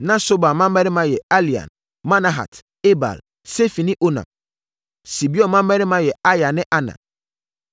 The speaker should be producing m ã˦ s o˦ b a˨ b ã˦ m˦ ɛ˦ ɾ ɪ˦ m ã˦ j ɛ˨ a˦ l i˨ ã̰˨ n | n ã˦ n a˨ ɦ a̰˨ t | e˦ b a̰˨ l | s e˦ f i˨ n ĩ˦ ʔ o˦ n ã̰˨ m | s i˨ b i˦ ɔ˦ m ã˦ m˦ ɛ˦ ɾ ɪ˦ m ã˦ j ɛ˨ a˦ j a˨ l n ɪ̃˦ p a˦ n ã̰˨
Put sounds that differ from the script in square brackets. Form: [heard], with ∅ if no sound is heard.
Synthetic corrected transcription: [n] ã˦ s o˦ b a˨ [m] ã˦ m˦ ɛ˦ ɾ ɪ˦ m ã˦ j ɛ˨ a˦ l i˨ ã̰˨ n | [m] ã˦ n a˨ ɦ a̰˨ t | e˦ b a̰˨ l | s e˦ f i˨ n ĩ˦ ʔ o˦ n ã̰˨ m | s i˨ b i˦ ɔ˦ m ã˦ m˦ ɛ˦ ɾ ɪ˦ m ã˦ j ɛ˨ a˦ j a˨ [∅] n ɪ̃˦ [ʔ] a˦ n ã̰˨

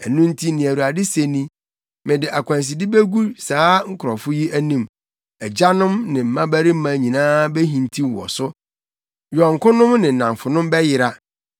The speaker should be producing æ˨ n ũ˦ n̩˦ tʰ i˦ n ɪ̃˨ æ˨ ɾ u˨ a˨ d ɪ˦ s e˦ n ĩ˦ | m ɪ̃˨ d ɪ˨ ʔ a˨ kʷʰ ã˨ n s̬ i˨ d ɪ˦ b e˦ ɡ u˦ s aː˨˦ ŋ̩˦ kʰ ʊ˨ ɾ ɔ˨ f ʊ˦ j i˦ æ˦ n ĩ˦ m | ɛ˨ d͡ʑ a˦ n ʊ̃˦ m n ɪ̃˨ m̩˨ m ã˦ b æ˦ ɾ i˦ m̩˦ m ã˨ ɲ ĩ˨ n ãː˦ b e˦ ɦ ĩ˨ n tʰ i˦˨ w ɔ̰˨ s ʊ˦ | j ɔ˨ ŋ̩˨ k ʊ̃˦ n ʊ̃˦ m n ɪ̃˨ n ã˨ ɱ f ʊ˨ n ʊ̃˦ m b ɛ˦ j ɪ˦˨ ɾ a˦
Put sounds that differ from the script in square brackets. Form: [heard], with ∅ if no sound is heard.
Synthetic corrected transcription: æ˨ n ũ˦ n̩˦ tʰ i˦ n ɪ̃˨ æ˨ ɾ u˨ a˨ d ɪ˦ s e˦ n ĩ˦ | m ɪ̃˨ d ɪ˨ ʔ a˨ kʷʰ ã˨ n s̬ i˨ d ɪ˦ b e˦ ɡ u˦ s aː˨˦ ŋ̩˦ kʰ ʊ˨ ɾ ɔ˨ f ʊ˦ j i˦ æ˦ n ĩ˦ m | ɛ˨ d͡ʑ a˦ n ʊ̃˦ m n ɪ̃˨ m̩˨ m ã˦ b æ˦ ɾ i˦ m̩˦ m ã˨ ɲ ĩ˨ n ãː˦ b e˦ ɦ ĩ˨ n tʰ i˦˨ w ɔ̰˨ s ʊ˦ | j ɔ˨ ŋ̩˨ k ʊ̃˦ n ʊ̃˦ m n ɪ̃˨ n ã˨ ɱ f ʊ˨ n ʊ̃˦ m b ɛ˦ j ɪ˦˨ ɾ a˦

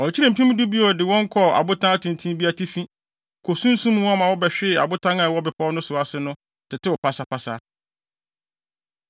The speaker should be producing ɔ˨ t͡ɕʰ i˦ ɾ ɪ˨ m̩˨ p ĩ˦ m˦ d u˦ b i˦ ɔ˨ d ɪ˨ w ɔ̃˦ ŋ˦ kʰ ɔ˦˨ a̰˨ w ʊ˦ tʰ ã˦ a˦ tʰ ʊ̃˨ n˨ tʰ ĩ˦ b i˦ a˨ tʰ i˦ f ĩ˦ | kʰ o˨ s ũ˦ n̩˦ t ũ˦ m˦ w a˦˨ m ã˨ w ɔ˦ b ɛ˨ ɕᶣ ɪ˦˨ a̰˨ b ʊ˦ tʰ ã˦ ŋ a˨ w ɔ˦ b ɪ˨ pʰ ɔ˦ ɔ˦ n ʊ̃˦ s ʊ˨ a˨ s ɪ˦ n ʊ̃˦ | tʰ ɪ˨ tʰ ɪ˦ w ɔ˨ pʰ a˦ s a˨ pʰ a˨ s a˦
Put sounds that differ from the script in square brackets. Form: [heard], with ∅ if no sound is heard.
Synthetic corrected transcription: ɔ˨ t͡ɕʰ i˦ ɾ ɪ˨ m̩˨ p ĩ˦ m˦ d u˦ b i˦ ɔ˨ d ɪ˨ w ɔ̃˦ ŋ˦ kʰ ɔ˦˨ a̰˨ [b] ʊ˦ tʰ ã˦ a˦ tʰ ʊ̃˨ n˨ tʰ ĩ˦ b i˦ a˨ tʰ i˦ f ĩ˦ | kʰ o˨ s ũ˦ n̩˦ [s] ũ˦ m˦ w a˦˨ m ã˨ w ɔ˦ b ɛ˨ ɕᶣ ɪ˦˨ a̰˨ b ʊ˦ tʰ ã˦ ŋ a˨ w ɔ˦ b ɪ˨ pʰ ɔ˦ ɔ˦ n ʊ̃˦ s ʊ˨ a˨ s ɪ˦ n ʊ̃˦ | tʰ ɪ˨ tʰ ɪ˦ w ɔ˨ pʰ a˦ s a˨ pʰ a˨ s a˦

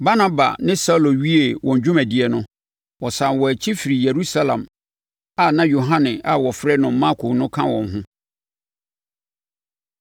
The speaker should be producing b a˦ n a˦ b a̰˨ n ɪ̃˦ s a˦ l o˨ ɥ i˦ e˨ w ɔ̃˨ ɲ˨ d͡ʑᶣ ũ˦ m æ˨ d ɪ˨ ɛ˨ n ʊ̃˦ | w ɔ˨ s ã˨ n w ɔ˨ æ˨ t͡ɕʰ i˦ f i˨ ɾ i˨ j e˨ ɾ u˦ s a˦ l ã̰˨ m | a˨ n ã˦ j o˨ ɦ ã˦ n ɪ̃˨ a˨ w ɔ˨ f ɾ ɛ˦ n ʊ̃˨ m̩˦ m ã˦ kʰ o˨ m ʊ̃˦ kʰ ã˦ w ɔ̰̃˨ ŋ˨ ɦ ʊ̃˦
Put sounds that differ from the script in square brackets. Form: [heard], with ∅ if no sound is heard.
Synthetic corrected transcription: b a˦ n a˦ b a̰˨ n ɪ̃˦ s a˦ l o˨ ɥ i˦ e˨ w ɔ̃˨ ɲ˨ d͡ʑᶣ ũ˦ m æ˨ d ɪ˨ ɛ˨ n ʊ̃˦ | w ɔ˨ s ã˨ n w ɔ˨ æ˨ t͡ɕʰ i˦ f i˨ ɾ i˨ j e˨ ɾ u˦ s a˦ l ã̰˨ m | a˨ n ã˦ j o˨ ɦ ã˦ n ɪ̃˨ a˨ w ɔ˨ f ɾ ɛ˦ n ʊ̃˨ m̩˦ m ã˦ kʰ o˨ [n] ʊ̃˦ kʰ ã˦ w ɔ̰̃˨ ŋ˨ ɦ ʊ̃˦

